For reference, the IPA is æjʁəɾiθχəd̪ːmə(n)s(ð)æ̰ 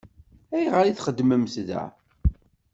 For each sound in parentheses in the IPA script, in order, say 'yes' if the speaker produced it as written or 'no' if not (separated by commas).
no, yes